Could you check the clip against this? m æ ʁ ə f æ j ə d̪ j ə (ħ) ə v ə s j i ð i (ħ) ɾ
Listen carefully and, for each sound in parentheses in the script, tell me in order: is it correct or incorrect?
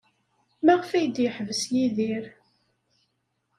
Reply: correct, incorrect: none

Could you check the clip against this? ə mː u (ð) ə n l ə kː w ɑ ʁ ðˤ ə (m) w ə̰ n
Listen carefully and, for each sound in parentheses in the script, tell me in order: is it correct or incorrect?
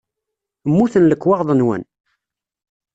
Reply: incorrect: θ, incorrect: n

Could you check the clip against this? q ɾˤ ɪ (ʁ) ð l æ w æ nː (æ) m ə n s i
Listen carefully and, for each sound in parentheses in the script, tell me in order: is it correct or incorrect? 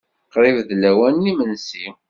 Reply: incorrect: v, incorrect: i

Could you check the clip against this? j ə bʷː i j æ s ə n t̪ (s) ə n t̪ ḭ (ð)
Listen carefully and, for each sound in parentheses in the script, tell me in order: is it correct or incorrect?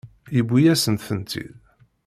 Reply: incorrect: θ, correct

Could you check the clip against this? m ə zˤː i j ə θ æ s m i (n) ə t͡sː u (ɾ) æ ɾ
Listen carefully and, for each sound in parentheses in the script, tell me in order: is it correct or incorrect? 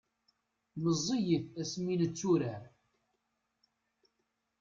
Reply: correct, correct

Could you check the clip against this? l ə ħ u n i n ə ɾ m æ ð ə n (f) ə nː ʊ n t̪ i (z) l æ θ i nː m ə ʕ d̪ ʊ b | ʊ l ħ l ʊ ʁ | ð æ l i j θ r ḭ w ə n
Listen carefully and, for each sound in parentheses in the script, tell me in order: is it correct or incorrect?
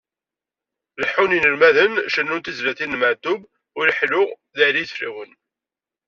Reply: incorrect: ʃ, correct

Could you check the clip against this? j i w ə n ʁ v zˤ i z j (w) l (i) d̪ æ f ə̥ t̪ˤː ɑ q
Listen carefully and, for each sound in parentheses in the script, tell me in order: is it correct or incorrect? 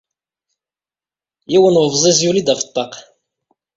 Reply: incorrect: u, correct

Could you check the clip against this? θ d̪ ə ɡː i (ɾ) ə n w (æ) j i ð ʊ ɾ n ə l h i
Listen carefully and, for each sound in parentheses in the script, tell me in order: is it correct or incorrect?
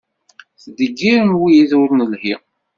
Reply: correct, incorrect: i

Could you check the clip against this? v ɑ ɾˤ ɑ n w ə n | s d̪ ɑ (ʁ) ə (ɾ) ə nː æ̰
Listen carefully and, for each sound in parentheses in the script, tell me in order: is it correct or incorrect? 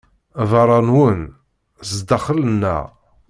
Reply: incorrect: χ, incorrect: l

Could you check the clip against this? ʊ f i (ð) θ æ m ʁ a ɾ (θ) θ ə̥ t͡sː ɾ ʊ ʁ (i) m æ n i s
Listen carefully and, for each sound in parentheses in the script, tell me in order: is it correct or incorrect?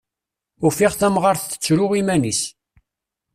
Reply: incorrect: ʁ, correct, correct

